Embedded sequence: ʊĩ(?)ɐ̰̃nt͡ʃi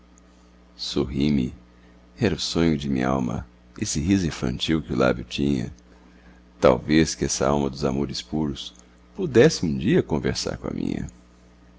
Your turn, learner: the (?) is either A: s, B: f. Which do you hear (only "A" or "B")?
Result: B